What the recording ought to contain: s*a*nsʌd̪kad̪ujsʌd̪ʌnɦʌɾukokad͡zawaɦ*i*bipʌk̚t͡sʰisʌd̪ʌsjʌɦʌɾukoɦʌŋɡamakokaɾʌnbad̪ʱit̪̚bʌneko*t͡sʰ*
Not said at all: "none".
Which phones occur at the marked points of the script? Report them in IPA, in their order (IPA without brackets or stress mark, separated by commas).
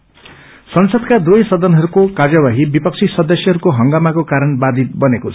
ʌ, i, t͡sʰ